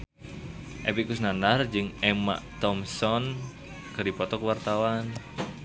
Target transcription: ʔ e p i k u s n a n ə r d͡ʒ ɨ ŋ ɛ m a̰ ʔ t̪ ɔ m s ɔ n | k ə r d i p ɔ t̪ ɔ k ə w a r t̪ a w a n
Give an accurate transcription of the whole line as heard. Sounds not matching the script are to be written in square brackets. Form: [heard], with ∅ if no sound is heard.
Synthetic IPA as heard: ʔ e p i k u s n a n [a] r d͡ʒ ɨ ŋ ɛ m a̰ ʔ t̪ ɔ m s ɔ n | k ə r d i p ɔ t̪ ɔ k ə w a r t̪ a w a n

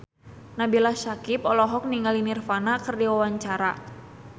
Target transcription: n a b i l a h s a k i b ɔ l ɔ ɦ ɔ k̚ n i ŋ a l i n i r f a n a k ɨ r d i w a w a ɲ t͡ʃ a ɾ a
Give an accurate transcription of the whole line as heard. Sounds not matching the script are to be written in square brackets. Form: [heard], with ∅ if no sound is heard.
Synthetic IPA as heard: n a b i l a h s a k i [p] ɔ l ɔ ɦ ɔ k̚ n i ŋ a l i n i r f a n a k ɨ r d i w a w a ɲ t͡ʃ a ɾ a

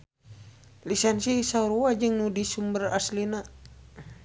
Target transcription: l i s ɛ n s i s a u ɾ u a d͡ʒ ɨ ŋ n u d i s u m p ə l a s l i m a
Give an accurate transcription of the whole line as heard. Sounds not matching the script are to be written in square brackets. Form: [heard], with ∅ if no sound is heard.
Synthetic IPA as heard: l i s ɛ n s i s a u ɾ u a d͡ʒ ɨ ŋ n u d i s u m [b] ə [r] a s l i [n] a

